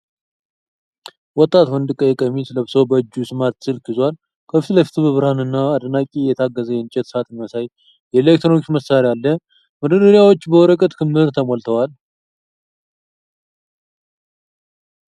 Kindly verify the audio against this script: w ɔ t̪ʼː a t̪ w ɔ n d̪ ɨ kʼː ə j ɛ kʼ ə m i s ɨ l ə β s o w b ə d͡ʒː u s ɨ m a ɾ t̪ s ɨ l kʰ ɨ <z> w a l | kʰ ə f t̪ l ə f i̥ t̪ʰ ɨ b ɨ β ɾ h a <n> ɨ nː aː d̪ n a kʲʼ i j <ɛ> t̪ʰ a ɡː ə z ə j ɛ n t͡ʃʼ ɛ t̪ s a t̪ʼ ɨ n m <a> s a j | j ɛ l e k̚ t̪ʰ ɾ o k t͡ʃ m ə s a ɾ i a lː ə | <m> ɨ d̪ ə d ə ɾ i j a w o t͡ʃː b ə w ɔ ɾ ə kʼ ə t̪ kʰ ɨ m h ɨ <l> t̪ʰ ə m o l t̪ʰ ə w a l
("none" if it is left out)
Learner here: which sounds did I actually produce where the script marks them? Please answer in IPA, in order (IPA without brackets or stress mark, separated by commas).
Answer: z, n, ɛ, ə, m, ɾ